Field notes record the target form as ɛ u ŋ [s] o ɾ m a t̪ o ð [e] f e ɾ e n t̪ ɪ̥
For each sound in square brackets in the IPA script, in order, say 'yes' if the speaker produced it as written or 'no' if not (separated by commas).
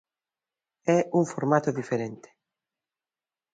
no, no